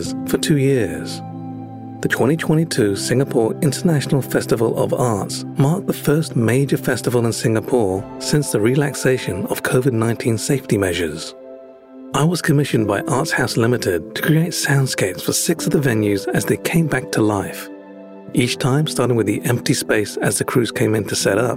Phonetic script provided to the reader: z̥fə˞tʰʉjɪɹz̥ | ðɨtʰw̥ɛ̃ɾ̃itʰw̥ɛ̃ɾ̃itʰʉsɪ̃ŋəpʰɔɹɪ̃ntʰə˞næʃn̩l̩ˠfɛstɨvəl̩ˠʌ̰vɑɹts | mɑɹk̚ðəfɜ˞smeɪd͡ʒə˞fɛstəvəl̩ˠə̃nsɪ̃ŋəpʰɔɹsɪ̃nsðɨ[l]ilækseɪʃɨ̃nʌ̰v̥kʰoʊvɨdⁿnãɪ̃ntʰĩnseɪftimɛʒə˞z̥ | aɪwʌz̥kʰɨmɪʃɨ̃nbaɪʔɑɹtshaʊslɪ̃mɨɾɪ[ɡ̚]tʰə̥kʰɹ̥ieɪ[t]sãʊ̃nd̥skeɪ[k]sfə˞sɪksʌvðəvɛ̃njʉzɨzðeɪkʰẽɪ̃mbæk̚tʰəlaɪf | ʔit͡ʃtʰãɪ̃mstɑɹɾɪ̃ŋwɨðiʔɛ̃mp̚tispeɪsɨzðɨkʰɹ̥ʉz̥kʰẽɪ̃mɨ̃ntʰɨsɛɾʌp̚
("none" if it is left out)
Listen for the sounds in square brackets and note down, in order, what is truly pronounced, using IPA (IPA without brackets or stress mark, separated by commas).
ɹ, d̚, t, p